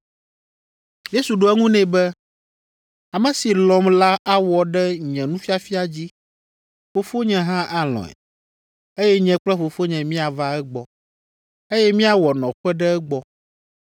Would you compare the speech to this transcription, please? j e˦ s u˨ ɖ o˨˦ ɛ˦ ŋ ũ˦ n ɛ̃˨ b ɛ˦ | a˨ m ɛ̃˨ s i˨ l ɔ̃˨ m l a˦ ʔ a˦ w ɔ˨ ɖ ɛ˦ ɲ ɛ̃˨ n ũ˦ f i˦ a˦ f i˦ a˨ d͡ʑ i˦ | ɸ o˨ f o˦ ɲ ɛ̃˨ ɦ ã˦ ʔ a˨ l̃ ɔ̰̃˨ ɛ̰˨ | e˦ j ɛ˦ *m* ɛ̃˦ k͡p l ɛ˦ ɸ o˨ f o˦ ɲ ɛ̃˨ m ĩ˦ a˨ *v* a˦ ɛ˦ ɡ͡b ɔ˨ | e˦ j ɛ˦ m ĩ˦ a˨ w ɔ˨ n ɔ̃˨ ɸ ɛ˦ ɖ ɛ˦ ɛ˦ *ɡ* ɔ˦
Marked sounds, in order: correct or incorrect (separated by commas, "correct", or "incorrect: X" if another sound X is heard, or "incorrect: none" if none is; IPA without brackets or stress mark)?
incorrect: ɲ, correct, incorrect: ɡ͡b